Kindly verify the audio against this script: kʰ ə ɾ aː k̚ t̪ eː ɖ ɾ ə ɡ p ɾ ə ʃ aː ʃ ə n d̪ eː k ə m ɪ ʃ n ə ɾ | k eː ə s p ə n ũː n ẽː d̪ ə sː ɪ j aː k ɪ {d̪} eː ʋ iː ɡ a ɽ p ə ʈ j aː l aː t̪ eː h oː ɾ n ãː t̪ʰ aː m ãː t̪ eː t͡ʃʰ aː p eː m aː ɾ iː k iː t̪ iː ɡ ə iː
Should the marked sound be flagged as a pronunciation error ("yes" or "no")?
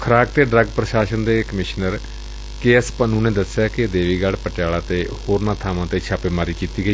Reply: no